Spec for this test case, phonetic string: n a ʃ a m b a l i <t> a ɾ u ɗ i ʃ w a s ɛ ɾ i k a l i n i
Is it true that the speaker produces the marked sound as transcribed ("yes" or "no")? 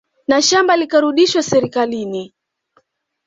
no